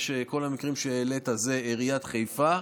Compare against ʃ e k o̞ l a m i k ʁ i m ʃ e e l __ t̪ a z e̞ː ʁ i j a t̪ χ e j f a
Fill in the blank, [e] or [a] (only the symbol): e